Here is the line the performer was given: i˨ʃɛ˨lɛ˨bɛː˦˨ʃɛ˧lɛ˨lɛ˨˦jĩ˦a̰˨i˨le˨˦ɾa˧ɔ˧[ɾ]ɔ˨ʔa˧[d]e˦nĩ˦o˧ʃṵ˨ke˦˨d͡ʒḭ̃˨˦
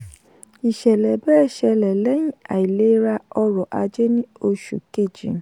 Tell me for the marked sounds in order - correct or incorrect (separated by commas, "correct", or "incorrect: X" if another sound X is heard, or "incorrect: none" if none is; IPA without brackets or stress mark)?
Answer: correct, incorrect: d͡ʒ